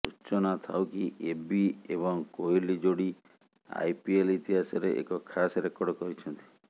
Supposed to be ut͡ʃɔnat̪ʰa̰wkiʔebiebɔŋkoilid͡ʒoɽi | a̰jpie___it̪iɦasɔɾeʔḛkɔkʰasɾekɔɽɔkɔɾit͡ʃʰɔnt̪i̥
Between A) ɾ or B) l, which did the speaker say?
B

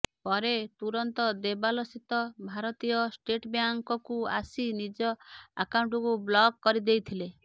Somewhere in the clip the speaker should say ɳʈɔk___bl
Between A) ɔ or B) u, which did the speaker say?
B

